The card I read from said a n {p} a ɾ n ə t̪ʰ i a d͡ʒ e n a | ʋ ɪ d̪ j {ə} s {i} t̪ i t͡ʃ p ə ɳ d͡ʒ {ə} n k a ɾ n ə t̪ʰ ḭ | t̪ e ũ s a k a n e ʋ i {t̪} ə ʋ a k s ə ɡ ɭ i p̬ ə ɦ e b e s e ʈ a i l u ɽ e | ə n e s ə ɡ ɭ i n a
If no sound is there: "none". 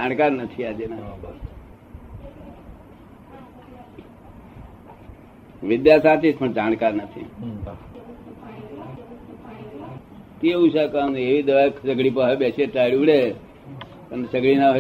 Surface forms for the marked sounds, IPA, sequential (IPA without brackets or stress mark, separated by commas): k, a, a, a, d̪